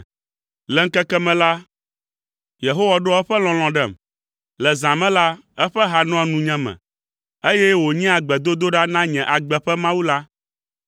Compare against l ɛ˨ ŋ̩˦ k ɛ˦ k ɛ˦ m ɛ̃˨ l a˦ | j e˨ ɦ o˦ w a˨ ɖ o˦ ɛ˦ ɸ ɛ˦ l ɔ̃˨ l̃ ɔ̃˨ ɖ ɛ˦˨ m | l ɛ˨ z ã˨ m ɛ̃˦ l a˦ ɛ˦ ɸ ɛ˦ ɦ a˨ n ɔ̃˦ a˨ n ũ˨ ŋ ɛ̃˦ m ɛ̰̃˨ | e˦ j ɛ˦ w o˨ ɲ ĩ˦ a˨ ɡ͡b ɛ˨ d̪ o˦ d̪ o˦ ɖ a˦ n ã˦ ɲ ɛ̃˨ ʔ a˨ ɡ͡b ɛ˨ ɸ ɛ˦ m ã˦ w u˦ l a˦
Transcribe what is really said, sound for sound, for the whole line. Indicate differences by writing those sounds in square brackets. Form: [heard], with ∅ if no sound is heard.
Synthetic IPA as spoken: l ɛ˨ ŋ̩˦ k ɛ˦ k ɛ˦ m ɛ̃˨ l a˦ | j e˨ ɦ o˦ w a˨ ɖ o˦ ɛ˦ ɸ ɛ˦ l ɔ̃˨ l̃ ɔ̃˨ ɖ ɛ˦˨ m | l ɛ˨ z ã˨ m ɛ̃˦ l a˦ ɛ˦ ɸ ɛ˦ ɦ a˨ n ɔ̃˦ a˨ n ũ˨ [ɲ] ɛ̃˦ m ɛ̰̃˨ | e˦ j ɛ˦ w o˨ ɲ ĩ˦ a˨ ɡ͡b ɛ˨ d̪ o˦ d̪ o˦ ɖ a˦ n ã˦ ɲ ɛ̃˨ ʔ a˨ ɡ͡b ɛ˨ ɸ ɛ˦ m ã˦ w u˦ l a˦